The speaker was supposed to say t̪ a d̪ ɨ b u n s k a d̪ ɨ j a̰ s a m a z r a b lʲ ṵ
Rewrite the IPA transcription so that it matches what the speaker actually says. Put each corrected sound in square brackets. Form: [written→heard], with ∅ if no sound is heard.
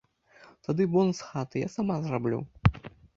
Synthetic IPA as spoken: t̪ a d̪ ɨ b [u→ɔ] n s [k→x] a [d̪→t̪] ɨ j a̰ s a m a z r a b lʲ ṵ